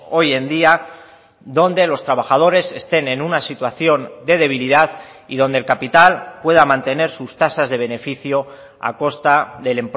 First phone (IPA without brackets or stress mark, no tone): o̞